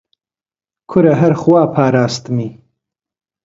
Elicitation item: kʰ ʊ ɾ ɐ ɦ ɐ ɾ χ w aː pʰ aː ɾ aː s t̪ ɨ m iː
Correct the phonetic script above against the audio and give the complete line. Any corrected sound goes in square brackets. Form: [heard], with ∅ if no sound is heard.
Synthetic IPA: kʰ ʊ ɾ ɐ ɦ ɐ ɾ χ w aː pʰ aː ɾ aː s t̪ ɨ m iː